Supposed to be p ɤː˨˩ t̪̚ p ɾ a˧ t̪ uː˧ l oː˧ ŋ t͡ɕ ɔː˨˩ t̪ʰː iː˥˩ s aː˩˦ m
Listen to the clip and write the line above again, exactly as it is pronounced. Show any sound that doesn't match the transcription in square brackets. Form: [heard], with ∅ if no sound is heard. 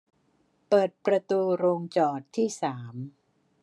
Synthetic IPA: p ɤː˨˩ t̪̚ p ɾ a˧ t̪ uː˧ [ɾ] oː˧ ŋ t͡ɕ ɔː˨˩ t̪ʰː iː˥˩ s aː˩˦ m